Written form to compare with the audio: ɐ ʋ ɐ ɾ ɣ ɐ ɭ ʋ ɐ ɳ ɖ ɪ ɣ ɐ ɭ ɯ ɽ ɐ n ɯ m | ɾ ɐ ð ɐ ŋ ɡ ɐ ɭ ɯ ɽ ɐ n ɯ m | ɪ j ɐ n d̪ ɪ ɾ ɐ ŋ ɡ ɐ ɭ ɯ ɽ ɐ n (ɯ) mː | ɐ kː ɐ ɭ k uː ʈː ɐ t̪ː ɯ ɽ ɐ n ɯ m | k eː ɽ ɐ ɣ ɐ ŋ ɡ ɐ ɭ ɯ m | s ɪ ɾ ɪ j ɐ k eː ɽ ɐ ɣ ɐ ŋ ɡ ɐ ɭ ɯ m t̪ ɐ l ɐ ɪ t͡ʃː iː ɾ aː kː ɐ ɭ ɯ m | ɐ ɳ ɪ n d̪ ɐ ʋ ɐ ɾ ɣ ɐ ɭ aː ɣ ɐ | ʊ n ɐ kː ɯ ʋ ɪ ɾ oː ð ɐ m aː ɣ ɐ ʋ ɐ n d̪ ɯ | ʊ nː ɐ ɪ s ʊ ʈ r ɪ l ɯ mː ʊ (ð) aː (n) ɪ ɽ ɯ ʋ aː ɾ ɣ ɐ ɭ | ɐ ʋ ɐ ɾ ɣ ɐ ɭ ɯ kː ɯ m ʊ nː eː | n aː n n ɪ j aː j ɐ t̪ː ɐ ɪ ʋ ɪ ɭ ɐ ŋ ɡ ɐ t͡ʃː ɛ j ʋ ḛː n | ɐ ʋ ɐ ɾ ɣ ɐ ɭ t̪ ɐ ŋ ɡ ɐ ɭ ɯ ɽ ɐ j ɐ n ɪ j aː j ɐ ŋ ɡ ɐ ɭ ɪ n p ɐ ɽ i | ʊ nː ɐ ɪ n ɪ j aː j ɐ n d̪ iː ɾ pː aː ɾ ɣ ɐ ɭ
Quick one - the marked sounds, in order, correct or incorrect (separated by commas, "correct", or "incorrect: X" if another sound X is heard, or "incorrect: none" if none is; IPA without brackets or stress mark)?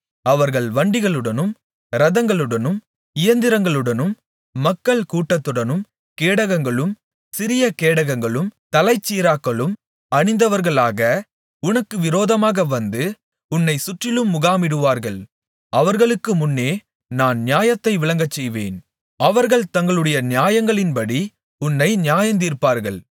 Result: correct, incorrect: ɣ, incorrect: m